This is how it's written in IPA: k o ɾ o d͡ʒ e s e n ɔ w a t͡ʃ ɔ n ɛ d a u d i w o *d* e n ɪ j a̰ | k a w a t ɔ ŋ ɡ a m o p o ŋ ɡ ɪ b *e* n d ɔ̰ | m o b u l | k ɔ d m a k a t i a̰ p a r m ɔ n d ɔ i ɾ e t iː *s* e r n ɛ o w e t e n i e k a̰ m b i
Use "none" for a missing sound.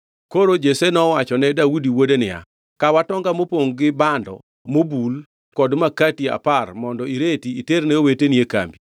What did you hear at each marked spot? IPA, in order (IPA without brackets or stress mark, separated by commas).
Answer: d, a, t